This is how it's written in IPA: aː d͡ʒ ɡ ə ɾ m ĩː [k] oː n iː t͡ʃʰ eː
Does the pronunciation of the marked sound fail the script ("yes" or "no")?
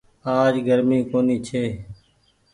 no